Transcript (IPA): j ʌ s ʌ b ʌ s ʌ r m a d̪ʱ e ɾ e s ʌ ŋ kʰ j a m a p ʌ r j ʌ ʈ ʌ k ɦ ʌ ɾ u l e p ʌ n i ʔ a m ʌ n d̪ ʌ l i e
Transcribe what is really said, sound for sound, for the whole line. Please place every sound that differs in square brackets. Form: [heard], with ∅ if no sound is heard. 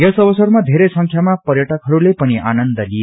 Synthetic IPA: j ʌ s ʌ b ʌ s ʌ r m a d̪ʱ e ɾ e s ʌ ŋ kʰ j a m a p ʌ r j ʌ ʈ ʌ k ɦ ʌ ɾ u l e p ʌ n i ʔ a [n] ʌ n d̪ ʌ l i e